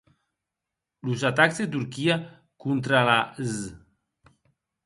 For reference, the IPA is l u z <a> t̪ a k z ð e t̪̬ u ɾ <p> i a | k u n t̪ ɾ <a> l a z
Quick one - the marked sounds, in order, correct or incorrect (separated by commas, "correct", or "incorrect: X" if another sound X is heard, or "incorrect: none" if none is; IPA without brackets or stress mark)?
correct, incorrect: k, correct